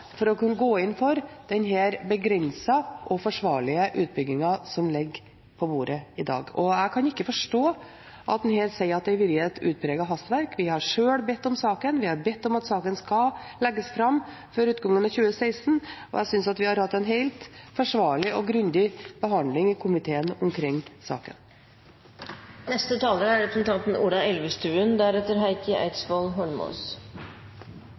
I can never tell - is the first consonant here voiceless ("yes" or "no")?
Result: yes